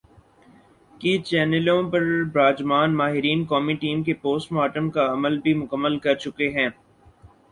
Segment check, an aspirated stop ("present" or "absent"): absent